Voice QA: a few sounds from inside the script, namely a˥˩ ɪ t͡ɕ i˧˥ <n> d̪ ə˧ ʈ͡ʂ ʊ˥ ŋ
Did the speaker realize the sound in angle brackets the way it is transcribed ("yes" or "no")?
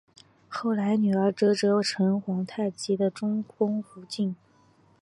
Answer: no